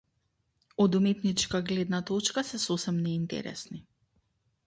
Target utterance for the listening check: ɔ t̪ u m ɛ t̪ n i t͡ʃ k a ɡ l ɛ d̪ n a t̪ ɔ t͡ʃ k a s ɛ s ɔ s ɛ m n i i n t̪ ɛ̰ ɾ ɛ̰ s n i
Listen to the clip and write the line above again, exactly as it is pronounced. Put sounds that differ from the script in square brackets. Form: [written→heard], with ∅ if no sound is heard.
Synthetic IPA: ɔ [t̪→d̪] u m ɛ t̪ n i t͡ʃ k a ɡ l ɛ d̪ n a t̪ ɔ t͡ʃ k a s ɛ s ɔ s ɛ m n [i→ɛ] i n t̪ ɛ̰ ɾ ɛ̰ s n i